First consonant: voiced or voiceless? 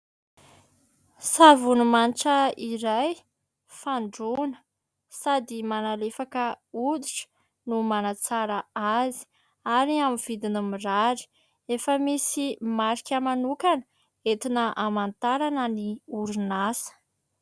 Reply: voiceless